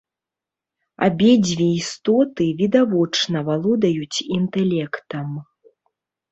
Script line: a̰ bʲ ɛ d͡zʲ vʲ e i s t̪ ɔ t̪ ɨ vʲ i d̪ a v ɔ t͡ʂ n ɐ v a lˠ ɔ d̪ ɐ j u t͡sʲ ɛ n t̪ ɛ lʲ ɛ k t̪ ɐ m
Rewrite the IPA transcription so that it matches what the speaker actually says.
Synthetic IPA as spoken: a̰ bʲ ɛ d͡zʲ vʲ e i s t̪ ɔ t̪ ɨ vʲ i d̪ a v ɔ t͡ʂ n ɐ v a lˠ ɔ d̪ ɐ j u t͡sʲ i n t̪ ɛ lʲ ɛ k t̪ ɐ m